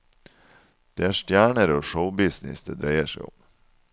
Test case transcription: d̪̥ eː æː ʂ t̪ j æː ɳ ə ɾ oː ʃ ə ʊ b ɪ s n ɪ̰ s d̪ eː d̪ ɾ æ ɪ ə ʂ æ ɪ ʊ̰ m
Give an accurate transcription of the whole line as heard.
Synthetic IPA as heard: d̪̥ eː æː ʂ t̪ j æː ɳ ə ɾ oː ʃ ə ʊ b ɪ s n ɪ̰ s d̪ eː d̪ ɾ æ ɪ ə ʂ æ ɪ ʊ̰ m